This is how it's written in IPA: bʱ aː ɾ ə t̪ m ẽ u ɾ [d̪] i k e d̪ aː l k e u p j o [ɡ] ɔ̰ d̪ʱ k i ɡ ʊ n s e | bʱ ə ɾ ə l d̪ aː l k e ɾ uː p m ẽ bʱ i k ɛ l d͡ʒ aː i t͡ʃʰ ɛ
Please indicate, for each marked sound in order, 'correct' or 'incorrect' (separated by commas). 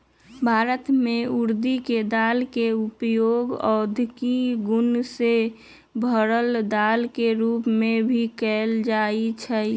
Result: correct, correct